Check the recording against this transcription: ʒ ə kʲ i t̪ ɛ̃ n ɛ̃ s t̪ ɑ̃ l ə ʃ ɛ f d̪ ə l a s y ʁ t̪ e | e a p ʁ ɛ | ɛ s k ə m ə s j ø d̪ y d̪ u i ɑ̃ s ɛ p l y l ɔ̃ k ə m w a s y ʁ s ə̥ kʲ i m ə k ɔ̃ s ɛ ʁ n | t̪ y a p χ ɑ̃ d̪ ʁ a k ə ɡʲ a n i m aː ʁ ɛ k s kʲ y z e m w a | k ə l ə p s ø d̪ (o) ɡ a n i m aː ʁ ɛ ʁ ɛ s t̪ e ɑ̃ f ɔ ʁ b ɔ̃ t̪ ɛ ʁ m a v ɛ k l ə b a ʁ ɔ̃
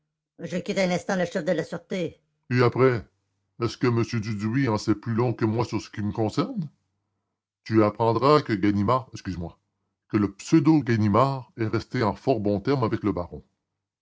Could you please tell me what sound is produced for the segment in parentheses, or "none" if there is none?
o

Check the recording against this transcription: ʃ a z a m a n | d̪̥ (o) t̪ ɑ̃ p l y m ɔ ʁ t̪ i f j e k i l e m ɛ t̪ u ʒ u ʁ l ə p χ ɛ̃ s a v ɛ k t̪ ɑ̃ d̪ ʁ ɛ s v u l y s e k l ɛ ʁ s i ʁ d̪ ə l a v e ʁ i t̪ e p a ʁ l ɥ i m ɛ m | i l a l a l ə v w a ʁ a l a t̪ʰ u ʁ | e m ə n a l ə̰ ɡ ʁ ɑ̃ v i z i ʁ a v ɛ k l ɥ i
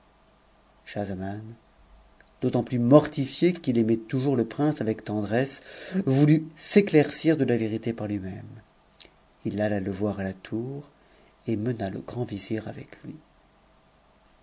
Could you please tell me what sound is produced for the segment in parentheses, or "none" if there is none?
o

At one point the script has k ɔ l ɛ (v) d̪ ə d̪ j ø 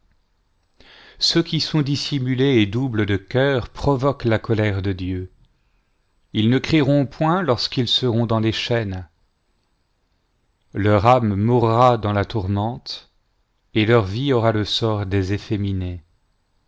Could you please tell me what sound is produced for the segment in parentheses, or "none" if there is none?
ʁ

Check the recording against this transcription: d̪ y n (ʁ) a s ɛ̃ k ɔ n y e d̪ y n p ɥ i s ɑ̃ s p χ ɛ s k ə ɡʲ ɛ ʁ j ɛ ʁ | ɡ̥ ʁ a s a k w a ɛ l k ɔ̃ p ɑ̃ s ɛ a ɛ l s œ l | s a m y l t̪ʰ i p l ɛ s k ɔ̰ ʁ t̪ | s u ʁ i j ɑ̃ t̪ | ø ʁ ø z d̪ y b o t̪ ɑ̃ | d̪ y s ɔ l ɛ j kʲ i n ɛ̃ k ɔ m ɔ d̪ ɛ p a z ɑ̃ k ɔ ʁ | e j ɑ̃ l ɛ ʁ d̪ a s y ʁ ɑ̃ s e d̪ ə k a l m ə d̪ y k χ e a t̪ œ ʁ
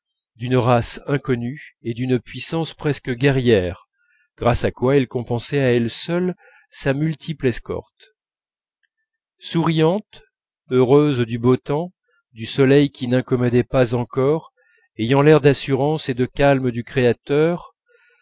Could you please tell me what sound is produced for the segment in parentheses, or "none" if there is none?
ʁ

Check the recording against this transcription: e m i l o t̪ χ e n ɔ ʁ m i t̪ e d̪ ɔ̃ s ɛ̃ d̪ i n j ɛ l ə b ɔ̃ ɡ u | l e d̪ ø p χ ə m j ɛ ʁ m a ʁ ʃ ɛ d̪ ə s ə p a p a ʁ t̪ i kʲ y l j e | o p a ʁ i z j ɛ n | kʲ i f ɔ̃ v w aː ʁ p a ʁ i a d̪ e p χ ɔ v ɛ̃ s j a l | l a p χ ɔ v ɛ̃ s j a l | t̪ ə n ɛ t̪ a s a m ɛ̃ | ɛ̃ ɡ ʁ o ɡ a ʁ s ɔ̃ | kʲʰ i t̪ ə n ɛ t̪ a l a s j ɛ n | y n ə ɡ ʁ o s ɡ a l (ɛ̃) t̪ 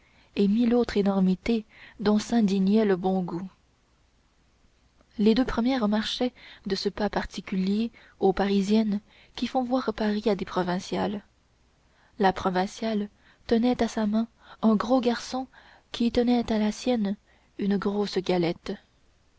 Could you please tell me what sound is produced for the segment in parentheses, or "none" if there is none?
ɛ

